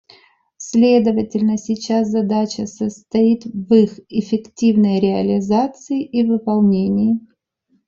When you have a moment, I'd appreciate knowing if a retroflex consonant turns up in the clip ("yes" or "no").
no